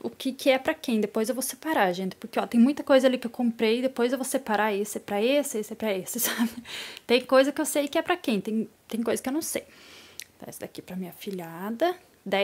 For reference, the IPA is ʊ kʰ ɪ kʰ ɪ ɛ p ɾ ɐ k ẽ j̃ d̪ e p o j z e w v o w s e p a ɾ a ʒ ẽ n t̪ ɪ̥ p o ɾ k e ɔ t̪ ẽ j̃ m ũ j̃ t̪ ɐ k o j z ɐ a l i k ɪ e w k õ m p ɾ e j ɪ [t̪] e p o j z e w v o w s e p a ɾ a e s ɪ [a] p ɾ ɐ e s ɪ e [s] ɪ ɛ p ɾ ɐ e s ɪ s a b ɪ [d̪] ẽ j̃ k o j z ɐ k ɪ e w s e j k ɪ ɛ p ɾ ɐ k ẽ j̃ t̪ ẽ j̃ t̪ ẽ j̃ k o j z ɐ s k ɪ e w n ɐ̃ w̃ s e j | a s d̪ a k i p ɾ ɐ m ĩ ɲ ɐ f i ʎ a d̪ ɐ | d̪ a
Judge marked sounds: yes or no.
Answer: no, no, yes, no

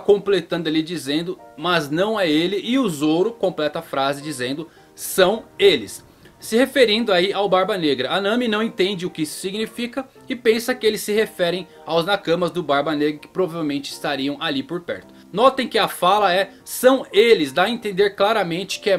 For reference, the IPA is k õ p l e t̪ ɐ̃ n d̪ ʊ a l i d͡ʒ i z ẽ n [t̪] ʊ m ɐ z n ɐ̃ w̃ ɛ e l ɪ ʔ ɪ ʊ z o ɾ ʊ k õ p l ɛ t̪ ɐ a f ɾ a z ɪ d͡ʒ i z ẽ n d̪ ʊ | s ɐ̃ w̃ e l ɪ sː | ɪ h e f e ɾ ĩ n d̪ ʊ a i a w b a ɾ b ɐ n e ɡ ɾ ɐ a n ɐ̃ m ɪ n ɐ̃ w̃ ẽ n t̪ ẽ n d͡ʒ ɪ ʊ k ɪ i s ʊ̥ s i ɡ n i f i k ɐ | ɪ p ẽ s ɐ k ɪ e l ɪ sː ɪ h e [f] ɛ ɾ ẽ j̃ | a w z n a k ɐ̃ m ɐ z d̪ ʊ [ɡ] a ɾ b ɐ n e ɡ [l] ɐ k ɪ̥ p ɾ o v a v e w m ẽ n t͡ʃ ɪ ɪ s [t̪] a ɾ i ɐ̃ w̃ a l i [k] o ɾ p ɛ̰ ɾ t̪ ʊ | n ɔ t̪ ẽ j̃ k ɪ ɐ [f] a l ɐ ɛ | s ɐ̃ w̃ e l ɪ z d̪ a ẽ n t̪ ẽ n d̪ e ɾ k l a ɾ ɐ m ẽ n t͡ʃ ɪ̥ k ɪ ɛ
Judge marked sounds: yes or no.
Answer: no, yes, no, no, yes, no, yes

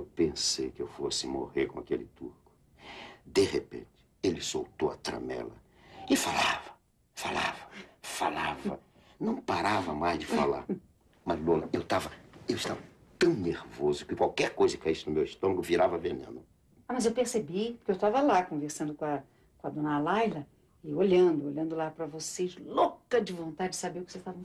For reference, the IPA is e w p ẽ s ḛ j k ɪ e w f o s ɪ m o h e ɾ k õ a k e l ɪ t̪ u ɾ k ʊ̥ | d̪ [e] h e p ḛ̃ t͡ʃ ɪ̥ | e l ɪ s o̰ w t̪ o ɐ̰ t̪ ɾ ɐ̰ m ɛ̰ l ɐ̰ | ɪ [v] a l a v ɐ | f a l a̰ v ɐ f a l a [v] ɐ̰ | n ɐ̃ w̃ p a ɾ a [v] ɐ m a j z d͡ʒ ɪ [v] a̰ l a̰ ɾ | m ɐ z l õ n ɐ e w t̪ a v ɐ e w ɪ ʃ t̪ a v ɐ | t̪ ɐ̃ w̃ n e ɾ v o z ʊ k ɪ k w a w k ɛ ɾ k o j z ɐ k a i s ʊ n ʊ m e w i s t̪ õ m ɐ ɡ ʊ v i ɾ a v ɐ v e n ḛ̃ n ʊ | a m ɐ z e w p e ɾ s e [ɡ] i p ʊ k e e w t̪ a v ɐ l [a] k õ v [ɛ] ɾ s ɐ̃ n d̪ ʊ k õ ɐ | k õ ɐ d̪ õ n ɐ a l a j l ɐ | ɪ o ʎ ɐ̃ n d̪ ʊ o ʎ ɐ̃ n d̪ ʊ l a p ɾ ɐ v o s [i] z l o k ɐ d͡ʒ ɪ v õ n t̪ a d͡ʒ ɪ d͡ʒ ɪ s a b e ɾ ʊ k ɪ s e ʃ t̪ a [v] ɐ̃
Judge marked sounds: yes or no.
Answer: yes, no, yes, yes, no, no, yes, no, no, yes

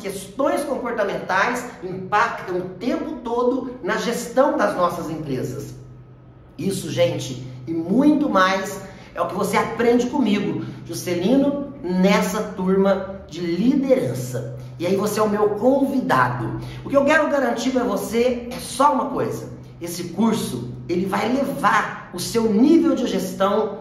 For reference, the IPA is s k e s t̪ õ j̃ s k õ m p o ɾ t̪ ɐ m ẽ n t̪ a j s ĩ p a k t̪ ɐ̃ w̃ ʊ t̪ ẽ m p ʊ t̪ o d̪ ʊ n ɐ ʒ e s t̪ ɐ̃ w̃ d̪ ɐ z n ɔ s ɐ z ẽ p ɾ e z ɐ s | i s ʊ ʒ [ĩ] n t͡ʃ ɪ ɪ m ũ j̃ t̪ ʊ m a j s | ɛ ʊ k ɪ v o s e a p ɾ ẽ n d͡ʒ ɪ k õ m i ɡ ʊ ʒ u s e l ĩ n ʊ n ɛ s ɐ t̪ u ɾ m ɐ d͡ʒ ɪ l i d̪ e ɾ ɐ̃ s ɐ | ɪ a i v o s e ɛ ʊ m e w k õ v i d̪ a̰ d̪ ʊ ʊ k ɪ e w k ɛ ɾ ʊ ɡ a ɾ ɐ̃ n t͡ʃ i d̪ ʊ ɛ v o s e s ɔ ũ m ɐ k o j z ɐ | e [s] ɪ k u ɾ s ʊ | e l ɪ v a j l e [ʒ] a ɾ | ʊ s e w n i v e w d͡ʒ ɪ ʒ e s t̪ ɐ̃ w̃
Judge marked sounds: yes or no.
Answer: no, yes, no

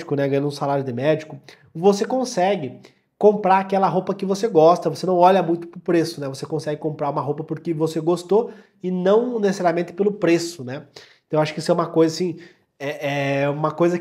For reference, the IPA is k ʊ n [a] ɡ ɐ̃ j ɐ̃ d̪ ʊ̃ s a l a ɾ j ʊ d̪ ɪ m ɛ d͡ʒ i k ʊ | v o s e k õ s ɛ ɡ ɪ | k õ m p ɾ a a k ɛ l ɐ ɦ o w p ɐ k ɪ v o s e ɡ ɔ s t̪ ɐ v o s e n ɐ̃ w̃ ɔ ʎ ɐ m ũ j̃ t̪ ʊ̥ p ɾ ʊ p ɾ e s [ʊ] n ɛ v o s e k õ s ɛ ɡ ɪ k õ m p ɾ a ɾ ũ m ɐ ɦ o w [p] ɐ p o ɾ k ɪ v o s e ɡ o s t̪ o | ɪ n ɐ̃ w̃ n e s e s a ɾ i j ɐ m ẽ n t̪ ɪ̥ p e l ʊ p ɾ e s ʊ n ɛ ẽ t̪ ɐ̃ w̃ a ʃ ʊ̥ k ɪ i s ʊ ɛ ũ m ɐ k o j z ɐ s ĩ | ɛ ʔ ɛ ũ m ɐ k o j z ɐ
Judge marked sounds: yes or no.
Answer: no, yes, yes

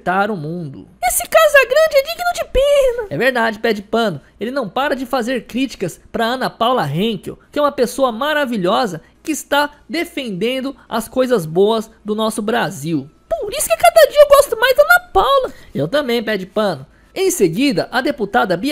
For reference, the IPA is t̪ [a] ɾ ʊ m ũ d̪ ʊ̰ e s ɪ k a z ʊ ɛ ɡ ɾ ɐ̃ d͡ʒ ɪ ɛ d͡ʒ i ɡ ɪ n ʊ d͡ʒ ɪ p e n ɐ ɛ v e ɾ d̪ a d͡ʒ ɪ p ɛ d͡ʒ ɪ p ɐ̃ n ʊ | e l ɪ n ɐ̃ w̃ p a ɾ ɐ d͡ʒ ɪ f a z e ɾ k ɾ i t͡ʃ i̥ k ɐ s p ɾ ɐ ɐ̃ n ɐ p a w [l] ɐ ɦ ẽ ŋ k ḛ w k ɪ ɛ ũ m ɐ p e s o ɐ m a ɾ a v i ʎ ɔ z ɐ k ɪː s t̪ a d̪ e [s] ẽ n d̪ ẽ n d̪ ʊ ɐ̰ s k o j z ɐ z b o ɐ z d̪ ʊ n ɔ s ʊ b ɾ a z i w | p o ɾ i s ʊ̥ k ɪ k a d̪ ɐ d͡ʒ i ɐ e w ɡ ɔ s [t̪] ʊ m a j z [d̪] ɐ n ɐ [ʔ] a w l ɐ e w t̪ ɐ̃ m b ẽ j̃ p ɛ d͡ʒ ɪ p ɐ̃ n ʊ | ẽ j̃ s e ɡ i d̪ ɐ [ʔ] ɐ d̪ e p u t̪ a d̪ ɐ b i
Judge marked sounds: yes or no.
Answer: yes, yes, no, yes, yes, no, yes

